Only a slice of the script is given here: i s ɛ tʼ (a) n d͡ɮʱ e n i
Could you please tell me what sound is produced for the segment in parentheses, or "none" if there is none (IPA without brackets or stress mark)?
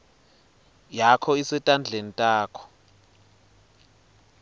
a